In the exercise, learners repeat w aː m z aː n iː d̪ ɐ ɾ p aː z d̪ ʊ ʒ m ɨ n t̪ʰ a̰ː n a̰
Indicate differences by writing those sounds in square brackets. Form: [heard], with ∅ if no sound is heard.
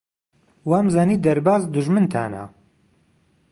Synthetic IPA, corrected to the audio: w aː m z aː n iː d̪ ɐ ɾ [b] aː z d̪ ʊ ʒ m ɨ n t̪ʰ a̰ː n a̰